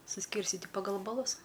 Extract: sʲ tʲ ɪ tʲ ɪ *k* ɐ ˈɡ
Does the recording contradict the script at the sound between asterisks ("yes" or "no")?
yes